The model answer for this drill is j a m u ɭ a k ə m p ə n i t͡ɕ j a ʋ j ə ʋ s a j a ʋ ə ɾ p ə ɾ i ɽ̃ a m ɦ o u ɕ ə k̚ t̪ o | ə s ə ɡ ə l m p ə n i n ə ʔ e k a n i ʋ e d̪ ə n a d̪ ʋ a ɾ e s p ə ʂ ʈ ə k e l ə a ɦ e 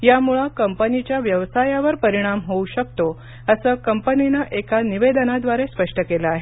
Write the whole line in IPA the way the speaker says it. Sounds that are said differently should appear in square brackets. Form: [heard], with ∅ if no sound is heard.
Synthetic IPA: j a m u ɭ a k ə m p ə n i t͡ɕ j a ʋ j ə ʋ s a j a ʋ ə ɾ p ə ɾ i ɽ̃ a m ɦ o u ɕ ə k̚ t̪ o | ə s ə [k] ə [∅] m p ə n i n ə ʔ e k a n i ʋ e d̪ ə n a d̪ ʋ a ɾ e s p ə ʂ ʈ ə k e l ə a ɦ e